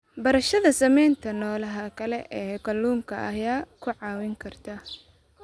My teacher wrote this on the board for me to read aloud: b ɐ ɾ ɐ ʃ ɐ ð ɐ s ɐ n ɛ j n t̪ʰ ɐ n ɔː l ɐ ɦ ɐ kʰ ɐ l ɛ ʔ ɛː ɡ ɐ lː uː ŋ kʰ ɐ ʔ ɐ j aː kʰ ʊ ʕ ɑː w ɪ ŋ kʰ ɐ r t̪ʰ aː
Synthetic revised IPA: b ɐ ɾ ɐ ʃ ɐ ð ɐ s ɐ m ɛ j n t̪ʰ ɐ n ɔː l ɐ ɦ ɐ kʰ ɐ l ɛ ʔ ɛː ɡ ɐ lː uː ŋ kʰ ɐ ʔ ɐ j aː kʰ ʊ ʕ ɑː w ɪ ŋ kʰ ɐ r t̪ʰ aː